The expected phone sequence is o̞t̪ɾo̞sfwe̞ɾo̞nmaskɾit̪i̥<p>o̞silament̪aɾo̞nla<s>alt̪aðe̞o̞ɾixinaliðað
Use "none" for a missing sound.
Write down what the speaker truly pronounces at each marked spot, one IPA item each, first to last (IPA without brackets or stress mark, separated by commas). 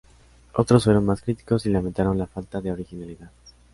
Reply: k, f